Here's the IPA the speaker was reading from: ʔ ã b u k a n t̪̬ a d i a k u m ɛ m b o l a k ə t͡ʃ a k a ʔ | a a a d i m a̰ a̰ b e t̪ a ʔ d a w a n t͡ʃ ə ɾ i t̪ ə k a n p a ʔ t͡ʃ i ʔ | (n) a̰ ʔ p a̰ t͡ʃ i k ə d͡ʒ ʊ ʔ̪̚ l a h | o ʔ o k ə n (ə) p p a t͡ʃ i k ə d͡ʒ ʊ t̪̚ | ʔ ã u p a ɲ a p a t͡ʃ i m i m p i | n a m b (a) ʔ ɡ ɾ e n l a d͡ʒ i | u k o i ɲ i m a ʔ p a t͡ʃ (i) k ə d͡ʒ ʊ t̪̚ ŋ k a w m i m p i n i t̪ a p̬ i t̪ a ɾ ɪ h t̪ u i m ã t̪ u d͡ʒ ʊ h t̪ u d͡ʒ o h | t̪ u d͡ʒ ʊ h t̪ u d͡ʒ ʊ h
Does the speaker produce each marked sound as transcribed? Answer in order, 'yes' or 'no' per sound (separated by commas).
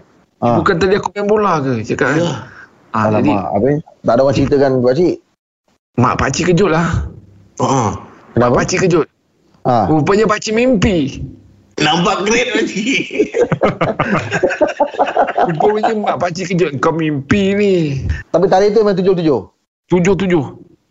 no, no, yes, yes